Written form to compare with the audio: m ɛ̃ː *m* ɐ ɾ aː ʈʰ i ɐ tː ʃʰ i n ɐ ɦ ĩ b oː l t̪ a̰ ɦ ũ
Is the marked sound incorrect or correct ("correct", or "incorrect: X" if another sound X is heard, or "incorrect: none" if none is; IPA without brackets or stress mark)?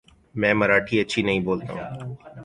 correct